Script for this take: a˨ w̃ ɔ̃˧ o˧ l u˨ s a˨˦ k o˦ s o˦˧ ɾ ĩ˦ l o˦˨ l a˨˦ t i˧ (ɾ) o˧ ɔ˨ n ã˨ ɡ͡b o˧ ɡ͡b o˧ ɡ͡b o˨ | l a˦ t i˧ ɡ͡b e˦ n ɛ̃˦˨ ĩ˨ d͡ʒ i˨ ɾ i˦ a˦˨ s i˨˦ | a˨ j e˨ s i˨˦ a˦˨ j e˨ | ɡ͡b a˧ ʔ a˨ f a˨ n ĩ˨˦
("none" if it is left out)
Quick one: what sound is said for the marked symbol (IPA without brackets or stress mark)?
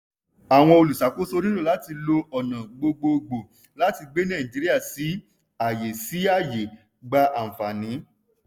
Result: l